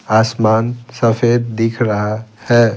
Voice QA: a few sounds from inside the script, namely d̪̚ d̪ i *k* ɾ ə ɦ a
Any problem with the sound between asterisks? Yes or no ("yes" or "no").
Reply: yes